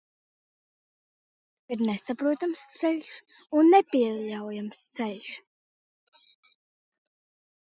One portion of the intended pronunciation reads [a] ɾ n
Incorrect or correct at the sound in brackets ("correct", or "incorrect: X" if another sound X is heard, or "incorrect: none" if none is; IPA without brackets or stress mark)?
incorrect: i